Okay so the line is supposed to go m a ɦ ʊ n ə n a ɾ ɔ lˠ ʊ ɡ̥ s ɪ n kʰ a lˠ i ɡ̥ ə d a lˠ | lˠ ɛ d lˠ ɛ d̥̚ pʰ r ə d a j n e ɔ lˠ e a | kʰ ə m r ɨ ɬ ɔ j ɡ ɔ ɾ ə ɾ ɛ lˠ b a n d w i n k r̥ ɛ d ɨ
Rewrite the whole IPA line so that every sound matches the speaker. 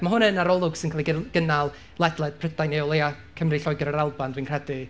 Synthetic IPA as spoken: m a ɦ ʊ n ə n a ɾ ɔ lˠ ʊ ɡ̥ s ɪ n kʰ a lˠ i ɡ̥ ə n a lˠ | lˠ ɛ d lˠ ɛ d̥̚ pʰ r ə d a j n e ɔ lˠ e a | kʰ ə m r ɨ ɬ ɔ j ɡ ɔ ɾ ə ɾ a lˠ b a n d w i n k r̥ ɛ d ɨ